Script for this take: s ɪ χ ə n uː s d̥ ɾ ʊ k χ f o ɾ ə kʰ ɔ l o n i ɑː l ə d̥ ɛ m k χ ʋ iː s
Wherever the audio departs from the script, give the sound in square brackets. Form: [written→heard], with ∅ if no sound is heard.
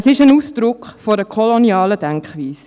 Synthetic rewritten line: s ɪ [χ→ʃ] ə n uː s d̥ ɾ ʊ k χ f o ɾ ə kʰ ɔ l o n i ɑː l ə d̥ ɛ [m→ŋ] k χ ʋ iː s